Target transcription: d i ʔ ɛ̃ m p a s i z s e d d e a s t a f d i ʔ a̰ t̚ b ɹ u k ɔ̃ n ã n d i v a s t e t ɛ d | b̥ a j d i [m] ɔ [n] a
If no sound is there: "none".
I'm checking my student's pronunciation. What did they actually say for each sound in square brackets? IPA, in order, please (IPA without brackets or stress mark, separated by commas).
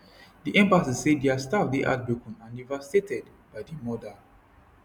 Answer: m, d